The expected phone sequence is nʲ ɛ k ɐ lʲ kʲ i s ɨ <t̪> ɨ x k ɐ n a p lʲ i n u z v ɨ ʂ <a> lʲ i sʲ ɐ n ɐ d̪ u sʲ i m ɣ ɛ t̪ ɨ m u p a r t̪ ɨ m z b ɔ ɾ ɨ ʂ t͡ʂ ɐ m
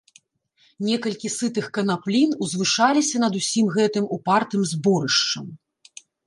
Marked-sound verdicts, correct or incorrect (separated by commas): correct, correct